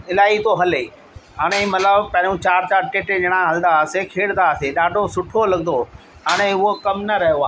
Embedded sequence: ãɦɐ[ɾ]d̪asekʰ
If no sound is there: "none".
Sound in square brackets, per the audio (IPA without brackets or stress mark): l